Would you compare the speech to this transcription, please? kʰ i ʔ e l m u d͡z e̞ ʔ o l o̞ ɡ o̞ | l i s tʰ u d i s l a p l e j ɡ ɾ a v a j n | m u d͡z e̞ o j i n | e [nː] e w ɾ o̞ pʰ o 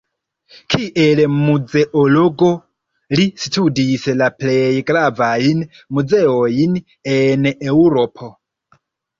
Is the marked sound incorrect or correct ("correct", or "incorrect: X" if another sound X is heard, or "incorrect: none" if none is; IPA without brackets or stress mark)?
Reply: incorrect: n